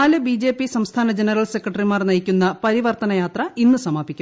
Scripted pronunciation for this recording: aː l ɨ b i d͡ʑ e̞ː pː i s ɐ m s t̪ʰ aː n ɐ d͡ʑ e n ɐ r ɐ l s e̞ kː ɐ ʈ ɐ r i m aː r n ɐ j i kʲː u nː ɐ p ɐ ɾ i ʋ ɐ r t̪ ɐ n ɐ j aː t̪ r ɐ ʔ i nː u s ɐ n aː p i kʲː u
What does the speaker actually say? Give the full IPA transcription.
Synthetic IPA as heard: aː l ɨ b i d͡ʑ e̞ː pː i s ɐ m s t̪ʰ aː n ɐ d͡ʑ e n ɐ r ɐ l s e̞ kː ɐ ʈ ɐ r i m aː r n ɐ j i kʲː u nː ɐ p ɐ ɾ i ʋ ɐ r t̪ ɐ n ɐ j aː t̪ r ɐ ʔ i nː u s ɐ m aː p i kʲː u